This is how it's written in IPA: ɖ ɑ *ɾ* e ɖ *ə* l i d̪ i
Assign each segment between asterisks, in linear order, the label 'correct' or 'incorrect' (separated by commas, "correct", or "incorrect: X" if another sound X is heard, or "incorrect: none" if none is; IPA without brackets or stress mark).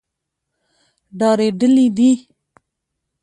correct, correct